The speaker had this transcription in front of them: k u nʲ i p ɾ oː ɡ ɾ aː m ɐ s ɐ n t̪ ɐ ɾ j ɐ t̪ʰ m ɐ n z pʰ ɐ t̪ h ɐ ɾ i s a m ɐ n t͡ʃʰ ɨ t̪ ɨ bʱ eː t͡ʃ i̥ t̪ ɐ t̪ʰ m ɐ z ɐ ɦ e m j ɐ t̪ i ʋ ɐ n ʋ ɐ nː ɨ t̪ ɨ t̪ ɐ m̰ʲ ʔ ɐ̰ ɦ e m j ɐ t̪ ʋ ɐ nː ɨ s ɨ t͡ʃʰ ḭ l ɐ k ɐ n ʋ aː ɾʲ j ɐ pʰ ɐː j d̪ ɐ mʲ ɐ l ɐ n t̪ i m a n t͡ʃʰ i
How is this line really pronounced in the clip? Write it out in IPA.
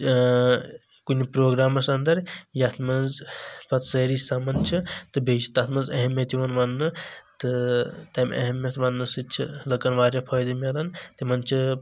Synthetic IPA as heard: k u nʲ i p ɾ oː ɡ ɾ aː m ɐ s ɐ n d̪ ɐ ɾ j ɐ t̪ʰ m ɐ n z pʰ ɐ t̪ s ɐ ɾ i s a m ɐ n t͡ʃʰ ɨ t̪ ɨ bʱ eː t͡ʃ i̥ t̪ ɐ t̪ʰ m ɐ z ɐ ɦ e m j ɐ t̪ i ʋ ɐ n ʋ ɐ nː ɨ t̪ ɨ t̪ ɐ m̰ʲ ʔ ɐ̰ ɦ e m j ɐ t̪ ʋ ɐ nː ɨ s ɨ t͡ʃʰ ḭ l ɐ k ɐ n ʋ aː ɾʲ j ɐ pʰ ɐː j d̪ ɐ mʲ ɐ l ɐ n t̪ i m ɐ n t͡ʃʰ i